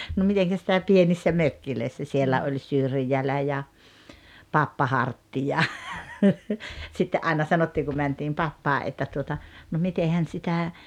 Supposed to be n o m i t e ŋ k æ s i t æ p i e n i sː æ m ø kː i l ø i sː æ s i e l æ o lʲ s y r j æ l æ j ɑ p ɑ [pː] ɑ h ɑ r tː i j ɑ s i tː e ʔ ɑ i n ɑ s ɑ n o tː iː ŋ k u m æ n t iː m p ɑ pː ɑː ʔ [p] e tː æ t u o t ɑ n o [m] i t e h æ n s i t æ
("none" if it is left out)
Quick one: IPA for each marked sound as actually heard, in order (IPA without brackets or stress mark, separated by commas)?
pː, ʔ, m